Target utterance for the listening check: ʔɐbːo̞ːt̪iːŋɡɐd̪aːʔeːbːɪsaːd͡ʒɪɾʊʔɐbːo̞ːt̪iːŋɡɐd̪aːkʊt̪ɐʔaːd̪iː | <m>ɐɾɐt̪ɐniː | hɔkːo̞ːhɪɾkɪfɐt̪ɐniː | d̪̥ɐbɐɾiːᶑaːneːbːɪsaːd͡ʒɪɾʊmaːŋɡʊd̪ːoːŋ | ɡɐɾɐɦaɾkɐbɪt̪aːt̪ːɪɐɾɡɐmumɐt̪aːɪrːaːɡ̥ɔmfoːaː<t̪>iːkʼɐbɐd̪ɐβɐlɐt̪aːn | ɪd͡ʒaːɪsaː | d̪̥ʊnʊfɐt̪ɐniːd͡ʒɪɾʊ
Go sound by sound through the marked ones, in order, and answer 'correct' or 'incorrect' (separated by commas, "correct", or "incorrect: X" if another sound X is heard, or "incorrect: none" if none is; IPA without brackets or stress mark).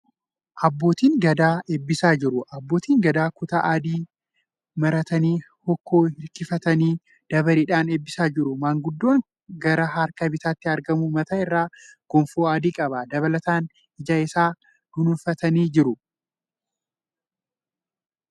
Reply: correct, incorrect: d̪